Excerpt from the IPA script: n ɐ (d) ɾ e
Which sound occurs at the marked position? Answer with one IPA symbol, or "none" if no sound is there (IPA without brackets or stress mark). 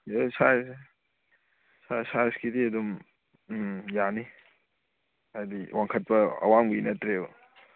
t